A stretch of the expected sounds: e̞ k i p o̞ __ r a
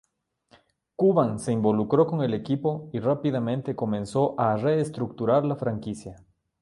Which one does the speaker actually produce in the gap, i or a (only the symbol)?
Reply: i